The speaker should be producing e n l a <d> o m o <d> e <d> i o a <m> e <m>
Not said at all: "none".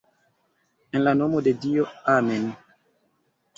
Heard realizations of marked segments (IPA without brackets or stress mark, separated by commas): n, d, d, m, n